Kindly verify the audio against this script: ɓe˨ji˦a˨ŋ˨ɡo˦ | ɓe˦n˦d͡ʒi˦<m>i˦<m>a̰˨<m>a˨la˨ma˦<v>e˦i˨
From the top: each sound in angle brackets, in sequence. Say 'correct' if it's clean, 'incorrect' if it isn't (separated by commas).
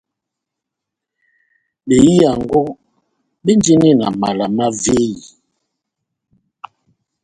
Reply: incorrect, incorrect, correct, correct